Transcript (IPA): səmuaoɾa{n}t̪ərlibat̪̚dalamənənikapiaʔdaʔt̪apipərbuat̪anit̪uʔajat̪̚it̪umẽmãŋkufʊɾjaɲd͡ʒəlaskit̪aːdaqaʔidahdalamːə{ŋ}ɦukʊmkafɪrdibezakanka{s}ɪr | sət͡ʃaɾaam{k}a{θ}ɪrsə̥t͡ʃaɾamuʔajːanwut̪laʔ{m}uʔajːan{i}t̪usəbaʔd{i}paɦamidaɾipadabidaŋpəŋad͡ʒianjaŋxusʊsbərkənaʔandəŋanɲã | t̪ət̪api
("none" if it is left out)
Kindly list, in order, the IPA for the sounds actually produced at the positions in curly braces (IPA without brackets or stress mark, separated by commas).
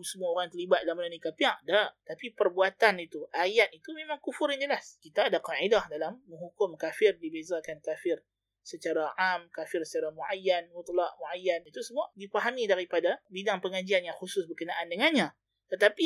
ŋ, ŋ, f, k, f, m, i, i